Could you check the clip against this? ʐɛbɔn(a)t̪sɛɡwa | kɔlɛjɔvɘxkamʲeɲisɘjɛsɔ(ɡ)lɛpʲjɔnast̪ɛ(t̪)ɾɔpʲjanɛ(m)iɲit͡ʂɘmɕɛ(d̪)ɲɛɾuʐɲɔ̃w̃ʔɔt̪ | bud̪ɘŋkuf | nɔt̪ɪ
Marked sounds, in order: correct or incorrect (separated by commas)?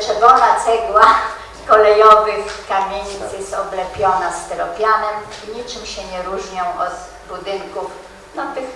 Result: correct, incorrect, incorrect, correct, incorrect